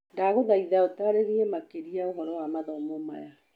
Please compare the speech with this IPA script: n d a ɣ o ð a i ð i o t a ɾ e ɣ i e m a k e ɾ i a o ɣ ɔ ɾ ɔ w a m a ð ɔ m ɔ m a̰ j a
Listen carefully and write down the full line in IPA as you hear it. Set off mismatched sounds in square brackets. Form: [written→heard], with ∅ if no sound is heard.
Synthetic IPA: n d a ɣ o ð a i ð [i→a] o t a ɾ e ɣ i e m a k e ɾ i a o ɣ ɔ ɾ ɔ w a m a ð ɔ m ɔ m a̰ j a